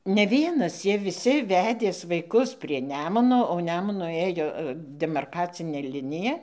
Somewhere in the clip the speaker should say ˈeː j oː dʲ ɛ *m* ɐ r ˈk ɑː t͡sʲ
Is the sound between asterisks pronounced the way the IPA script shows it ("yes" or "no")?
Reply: yes